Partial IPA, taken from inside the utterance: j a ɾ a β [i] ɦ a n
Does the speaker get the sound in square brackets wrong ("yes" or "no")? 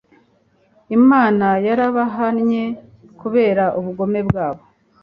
yes